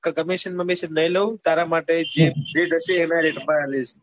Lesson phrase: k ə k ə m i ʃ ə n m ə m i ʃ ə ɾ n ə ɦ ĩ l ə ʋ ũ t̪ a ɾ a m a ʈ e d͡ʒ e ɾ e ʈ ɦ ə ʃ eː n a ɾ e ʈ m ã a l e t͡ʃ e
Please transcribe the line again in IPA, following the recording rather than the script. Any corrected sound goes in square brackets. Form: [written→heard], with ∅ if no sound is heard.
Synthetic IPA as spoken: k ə k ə m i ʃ ə n m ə m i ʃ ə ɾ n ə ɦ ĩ l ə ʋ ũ t̪ a ɾ a m a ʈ e d͡ʒ e ɾ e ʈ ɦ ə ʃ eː n a ɾ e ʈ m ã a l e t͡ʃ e

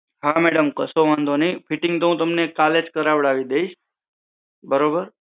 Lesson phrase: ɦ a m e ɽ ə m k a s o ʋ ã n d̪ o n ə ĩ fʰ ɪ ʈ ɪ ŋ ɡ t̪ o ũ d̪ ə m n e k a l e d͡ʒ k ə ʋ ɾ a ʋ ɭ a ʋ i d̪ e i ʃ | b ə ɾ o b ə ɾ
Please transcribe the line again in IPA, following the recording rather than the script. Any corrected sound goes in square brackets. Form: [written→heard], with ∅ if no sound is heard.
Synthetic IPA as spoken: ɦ a m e ɽ ə m k [a→ə] s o ʋ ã n d̪ o n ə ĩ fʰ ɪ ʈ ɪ ŋ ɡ t̪ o ũ [d̪→t̪] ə m n e k a l e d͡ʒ k ə [ʋ→∅] ɾ a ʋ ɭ a ʋ i d̪ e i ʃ | b ə ɾ o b ə ɾ

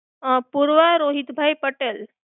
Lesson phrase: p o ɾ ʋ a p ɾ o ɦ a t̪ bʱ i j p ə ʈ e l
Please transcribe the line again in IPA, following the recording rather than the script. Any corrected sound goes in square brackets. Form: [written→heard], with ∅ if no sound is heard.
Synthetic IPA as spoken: p [o→u] ɾ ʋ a [p→∅] ɾ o ɦ [a→i] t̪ bʱ [i→a] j p ə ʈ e l

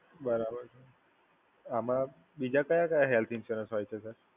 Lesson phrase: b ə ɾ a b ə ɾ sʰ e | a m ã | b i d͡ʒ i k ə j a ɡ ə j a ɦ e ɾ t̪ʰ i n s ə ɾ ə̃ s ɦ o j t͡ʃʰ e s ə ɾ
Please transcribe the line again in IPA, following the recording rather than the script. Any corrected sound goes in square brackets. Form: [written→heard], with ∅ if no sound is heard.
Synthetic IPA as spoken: b ə ɾ a b ə ɾ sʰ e | a m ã | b i d͡ʒ [i→a] k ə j a [ɡ→k] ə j a ɦ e [ɾ→l] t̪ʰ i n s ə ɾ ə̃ s ɦ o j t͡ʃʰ e s ə ɾ

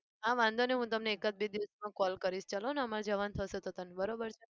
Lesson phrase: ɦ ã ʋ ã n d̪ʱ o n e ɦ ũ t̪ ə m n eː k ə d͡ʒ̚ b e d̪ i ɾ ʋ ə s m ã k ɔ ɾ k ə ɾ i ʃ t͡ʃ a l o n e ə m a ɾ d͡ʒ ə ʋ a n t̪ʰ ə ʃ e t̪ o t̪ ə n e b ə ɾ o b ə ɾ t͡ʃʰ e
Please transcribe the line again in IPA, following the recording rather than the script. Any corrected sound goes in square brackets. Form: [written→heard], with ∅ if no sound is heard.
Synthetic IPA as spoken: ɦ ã ʋ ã n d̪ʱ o n e ɦ ũ t̪ ə m n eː k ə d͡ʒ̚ b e d̪ i [ɾ→∅] ʋ ə s m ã k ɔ [ɾ→l] k ə ɾ i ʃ t͡ʃ a l o n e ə m a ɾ d͡ʒ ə ʋ a n t̪ʰ ə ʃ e t̪ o t̪ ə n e b ə ɾ o b ə ɾ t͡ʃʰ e

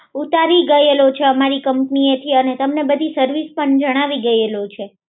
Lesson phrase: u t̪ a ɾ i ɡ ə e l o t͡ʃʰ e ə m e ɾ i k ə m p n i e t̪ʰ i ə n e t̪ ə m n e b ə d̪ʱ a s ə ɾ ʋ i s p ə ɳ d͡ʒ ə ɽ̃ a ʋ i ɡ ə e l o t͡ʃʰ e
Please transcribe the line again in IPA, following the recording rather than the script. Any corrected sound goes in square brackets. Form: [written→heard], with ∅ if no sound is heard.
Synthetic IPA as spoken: u t̪ a ɾ i ɡ ə e l o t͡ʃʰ e ə m [e→a] ɾ i k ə m p n i e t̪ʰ i ə n e t̪ ə m n e b ə d̪ʱ [a→i] s ə ɾ ʋ i s p ə ɳ d͡ʒ ə ɽ̃ a ʋ i ɡ ə e l o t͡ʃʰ e

